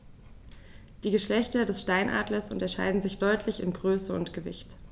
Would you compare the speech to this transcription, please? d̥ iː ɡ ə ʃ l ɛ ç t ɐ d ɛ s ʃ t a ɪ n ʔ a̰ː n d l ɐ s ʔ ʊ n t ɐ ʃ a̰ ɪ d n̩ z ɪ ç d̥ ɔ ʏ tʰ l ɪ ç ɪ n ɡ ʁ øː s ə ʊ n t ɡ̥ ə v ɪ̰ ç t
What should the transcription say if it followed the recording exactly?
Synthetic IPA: d̥ iː ɡ ə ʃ l ɛ ç t ɐ d ɛ s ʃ t a ɪ n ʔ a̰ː d l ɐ s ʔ ʊ n t ɐ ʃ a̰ ɪ d n̩ z ɪ ç d̥ ɔ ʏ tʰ l ɪ ç ɪ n ɡ ʁ øː s ə ʊ n t ɡ̥ ə v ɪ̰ ç t